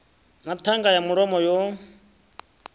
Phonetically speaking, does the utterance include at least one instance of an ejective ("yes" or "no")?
no